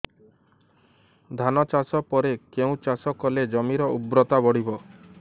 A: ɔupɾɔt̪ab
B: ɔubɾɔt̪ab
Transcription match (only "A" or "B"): B